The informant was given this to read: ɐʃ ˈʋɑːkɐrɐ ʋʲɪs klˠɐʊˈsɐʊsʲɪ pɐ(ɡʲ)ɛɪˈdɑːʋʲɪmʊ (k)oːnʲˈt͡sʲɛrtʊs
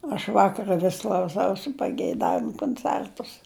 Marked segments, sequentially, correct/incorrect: correct, correct

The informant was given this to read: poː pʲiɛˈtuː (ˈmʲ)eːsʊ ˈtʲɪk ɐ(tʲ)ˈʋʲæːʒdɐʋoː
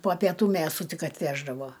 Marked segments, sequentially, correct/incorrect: correct, correct

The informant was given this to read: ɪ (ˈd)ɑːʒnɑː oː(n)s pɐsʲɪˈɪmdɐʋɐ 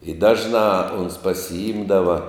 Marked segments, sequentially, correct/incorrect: correct, correct

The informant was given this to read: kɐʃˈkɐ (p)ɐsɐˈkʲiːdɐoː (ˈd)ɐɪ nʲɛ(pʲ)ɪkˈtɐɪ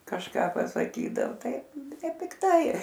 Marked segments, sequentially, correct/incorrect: correct, incorrect, correct

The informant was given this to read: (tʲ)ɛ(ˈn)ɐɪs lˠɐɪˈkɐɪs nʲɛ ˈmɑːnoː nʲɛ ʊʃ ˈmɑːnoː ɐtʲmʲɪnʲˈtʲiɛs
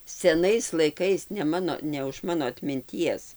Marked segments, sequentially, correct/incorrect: incorrect, correct

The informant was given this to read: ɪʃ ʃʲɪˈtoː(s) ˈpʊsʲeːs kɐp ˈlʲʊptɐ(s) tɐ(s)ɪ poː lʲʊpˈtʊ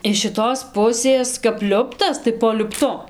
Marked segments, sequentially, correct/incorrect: correct, correct, incorrect

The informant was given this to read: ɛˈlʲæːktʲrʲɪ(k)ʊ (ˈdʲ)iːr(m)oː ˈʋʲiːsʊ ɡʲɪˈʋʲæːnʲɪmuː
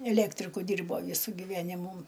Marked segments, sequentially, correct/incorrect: correct, correct, incorrect

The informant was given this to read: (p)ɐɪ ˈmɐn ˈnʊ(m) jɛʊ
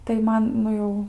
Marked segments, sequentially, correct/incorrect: incorrect, incorrect

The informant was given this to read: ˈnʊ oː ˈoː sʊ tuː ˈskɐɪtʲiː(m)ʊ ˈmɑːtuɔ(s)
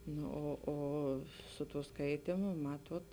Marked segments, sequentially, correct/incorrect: correct, incorrect

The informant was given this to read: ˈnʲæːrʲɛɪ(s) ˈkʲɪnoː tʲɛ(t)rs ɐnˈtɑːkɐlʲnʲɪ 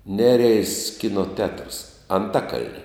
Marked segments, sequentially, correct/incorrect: correct, correct

